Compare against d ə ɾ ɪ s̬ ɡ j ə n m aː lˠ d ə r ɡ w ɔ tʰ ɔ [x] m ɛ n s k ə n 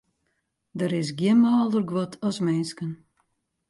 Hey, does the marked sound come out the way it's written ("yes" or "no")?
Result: no